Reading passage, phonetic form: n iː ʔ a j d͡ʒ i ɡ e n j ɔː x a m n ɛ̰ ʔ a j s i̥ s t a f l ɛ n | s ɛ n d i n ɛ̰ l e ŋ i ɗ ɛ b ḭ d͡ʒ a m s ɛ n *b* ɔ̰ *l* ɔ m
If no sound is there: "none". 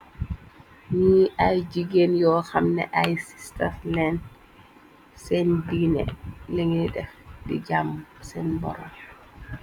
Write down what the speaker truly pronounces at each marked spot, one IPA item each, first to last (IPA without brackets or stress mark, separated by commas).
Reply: b, ɾ